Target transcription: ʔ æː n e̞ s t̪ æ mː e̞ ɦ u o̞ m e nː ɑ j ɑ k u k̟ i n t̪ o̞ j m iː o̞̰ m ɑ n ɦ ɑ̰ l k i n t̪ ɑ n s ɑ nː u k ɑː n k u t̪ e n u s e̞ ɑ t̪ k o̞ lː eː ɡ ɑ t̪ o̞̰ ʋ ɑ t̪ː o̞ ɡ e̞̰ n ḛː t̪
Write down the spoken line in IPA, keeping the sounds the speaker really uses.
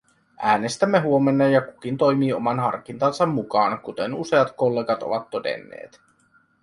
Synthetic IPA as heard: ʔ æː n e̞ s t̪ æ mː e̞ ɦ u o̞ m e nː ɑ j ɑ k u k̟ i n t̪ o̞ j m iː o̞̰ m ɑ n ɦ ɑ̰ r k i n t̪ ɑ n s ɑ mː u k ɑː n k u t̪ e n u s e̞ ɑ t̪ k o̞ lː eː ɡ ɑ t̪ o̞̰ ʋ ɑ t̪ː o̞ d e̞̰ nː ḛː t̪